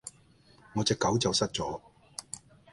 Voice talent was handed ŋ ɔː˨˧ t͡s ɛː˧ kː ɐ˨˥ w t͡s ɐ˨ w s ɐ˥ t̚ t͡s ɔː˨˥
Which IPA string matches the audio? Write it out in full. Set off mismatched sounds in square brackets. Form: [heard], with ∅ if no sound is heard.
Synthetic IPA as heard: ŋ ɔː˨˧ t͡s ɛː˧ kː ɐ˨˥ w t͡s ɐ˨ w s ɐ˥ t̚ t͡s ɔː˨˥